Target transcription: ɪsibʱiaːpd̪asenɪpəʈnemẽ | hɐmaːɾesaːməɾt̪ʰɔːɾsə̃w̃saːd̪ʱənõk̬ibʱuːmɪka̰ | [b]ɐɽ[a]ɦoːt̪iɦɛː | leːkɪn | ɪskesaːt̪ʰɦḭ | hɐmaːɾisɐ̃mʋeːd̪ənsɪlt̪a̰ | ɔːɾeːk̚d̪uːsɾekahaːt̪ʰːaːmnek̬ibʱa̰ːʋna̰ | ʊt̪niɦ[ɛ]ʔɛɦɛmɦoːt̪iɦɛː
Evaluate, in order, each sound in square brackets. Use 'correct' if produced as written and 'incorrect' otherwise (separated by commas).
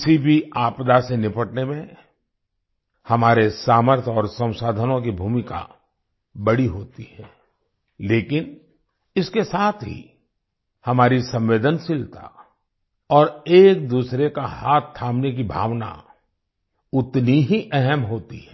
correct, incorrect, incorrect